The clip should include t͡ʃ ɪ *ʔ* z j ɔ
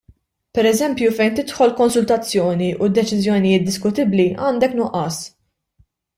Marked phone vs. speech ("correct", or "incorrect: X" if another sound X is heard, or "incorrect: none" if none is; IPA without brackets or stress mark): incorrect: none